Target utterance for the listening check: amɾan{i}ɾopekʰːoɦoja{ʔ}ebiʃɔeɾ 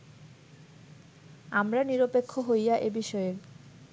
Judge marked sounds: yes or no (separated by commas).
yes, yes